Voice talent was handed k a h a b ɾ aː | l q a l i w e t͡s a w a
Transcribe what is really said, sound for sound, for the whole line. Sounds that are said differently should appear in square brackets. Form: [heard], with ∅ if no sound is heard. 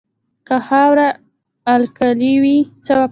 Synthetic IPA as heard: k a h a [w] ɾ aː | l [k] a l i w [i] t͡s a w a